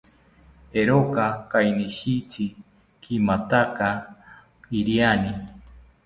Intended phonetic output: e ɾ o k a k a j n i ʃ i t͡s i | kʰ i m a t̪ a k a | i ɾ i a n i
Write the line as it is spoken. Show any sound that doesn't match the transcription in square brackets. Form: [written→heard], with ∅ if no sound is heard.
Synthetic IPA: e ɾ o k a k a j n i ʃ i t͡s i | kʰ i m a t̪ a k a | i ɾ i a n i

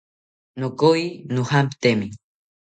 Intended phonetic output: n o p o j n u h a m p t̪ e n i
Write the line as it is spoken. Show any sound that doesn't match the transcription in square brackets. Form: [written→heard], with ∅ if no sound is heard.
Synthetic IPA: n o [p→k] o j n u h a m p t̪ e [n→m] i

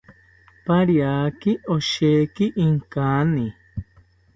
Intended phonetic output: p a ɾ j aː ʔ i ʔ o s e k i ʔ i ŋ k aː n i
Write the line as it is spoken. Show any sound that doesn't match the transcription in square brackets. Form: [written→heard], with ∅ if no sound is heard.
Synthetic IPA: p a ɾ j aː [ʔ→k] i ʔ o [s→ʃ] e k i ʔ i ŋ k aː n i

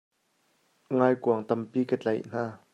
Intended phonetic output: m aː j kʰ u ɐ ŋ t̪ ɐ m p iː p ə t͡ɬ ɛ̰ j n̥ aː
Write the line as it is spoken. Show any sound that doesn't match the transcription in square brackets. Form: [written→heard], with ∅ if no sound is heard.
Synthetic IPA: [m→ŋ] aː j [kʰ→k] u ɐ ŋ t̪ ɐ m p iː [p→k] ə t͡ɬ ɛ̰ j n̥ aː

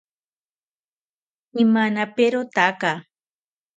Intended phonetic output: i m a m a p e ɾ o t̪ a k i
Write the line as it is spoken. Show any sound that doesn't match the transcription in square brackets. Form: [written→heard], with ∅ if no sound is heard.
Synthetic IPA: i m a [m→n] a p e ɾ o t̪ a k [i→a]

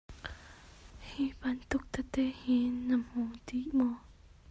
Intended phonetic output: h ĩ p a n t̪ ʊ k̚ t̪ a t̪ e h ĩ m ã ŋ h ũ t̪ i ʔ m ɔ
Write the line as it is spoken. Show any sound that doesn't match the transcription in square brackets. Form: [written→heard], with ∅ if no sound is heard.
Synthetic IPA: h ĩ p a n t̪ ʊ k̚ t̪ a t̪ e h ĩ [m→n] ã [ŋ→m] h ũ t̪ i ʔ m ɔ

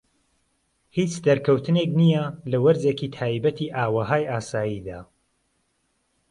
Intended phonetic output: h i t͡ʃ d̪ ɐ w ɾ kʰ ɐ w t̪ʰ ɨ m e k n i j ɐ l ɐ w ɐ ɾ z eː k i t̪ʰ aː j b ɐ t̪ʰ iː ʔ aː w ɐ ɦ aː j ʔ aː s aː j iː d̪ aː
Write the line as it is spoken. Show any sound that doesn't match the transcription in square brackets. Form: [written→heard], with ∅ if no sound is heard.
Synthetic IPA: h i t͡ʃ d̪ ɐ [w→∅] ɾ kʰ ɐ w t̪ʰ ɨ [m→n] e k n i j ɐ l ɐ w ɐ ɾ z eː k i t̪ʰ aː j b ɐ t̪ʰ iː ʔ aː w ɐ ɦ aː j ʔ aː s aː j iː d̪ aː

